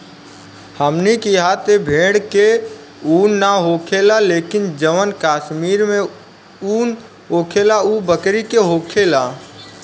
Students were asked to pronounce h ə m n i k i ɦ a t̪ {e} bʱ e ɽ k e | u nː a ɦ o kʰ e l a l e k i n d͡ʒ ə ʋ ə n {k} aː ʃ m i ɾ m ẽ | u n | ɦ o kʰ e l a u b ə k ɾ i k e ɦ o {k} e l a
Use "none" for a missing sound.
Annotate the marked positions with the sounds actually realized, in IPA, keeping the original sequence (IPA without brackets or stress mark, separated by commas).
e, k, kʰ